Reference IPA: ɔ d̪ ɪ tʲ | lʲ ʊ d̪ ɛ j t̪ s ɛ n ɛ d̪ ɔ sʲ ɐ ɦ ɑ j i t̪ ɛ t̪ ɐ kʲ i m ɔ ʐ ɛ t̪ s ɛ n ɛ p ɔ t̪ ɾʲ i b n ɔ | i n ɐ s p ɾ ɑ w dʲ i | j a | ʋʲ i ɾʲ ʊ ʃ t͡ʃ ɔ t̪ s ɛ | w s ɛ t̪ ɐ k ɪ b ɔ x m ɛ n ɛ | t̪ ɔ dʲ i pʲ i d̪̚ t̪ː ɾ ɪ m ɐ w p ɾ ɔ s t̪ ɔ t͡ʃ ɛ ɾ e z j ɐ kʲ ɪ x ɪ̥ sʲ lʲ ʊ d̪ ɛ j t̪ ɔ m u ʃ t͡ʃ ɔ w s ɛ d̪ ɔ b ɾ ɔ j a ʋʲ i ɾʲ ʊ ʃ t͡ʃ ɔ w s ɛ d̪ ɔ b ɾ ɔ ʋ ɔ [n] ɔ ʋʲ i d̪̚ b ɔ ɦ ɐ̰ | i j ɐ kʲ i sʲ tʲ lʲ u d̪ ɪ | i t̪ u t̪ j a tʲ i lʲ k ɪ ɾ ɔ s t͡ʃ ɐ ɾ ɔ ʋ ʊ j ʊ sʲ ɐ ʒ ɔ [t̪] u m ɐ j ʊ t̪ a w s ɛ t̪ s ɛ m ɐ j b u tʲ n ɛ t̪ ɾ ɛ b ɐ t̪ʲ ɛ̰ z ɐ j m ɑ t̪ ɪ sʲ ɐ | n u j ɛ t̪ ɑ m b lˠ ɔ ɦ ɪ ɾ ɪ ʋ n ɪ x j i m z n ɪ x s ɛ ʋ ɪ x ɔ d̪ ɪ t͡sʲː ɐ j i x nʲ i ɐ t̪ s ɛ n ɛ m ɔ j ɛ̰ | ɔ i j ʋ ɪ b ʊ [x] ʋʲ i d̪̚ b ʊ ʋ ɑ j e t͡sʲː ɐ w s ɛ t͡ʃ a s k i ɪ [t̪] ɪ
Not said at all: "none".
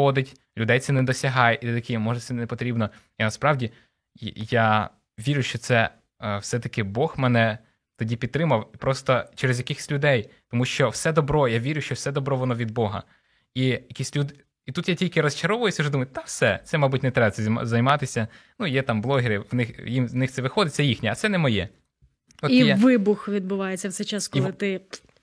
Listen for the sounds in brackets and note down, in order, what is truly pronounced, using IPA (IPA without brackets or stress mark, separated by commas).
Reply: n, d̪, x, t̪